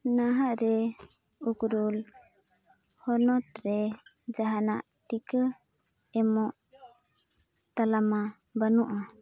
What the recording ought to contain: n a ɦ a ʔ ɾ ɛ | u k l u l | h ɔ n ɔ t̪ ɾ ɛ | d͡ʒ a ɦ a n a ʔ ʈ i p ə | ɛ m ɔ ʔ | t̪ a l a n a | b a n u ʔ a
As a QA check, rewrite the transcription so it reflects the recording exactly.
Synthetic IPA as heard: n a ɦ a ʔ ɾ ɛ | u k ɾ u l | h ɔ n ɔ t̪ ɾ ɛ | d͡ʒ a ɦ a n a ʔ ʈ i k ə | ɛ m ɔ ʔ | t̪ a l a m a | b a n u ʔ a